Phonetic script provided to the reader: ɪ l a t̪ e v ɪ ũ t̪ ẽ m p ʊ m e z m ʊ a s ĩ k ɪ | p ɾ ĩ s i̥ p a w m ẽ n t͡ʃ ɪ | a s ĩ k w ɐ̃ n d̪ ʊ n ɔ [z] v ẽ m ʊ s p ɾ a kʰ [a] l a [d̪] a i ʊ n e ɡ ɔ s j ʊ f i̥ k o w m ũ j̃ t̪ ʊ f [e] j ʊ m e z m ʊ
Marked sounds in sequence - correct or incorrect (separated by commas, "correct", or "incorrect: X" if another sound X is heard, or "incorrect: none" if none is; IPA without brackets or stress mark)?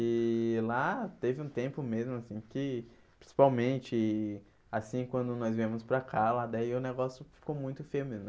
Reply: correct, correct, correct, correct